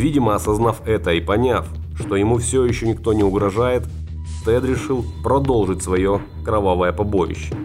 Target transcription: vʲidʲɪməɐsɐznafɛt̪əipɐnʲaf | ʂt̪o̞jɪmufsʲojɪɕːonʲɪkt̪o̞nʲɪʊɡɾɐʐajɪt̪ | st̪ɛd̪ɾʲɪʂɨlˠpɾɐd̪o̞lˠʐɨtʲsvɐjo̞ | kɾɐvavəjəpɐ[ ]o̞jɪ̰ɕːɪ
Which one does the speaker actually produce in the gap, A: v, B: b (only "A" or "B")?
B